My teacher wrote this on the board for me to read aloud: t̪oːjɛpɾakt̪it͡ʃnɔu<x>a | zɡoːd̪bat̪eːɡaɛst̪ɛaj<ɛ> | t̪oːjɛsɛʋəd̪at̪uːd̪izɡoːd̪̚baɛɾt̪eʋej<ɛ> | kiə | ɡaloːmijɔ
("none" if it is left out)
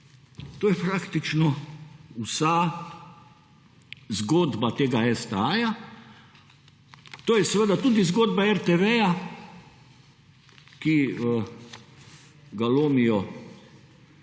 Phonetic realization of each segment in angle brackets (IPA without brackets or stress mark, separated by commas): s, a, a